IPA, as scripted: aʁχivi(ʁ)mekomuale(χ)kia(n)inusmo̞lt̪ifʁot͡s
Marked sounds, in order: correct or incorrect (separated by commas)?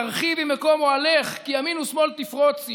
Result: incorrect, correct, incorrect